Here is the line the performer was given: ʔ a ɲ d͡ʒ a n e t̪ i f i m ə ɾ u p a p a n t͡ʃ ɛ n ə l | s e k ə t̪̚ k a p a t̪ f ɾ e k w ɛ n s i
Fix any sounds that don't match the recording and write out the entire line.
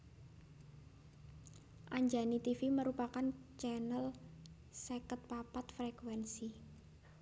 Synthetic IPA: ʔ a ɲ d͡ʒ a n i t̪ i f i m ə ɾ u p a k a n t͡ʃ ɛ n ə l | s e k ə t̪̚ p a p a t̪ f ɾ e k w ɛ n s i